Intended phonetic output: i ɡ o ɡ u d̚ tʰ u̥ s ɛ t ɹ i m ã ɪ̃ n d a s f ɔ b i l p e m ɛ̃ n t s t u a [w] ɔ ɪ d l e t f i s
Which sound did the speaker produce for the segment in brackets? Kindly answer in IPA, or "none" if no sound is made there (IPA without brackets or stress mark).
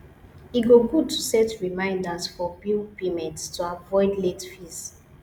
v